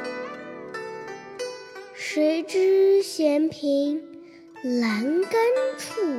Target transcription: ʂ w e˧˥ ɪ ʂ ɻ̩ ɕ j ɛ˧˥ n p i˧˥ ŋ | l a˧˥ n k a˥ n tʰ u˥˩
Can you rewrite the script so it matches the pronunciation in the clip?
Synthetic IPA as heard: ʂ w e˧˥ ɪ ʈ͡ʂ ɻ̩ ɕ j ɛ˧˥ n pʰ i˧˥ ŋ | l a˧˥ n k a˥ n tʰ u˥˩